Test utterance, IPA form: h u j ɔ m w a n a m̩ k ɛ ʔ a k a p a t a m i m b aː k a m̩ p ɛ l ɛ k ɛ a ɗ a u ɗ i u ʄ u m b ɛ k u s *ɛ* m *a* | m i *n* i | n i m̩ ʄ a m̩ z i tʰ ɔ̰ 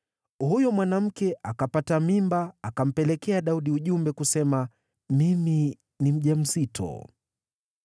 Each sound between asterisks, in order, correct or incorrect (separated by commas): correct, correct, incorrect